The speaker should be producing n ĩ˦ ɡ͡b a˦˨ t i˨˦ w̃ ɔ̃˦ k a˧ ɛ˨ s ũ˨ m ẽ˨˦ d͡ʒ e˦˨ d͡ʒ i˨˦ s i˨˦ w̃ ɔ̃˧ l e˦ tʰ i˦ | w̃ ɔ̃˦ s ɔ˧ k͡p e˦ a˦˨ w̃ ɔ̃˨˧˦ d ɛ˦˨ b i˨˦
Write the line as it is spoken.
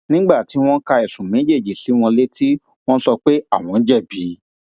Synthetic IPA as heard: n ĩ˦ ɡ͡b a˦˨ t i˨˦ w̃ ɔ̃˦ k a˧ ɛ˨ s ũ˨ m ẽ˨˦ d͡ʒ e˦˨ d͡ʒ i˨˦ s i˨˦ w̃ ɔ̃˧ l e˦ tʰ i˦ | w̃ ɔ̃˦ s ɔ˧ k͡p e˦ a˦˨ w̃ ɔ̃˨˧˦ d͡ʒ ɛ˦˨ b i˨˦